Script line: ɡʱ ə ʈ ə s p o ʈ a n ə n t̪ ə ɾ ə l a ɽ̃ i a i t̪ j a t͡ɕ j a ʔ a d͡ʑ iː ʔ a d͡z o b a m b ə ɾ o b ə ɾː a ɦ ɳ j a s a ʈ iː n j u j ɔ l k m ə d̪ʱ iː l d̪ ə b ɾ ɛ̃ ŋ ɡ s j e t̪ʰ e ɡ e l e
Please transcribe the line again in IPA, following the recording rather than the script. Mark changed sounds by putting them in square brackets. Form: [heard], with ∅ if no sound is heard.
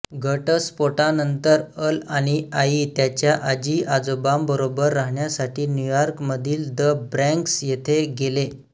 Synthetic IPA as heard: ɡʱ ə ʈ ə s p o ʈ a n ə n t̪ ə ɾ ə l a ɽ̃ i a i t̪ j a t͡ɕ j a ʔ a d͡ʑ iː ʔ a d͡z o b a m b ə ɾ o b ə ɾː a ɦ ɳ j a s a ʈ iː n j u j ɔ [ɾ] k m ə d̪ʱ iː l d̪ ə b ɾ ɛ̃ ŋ [k] s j e t̪ʰ e ɡ e l e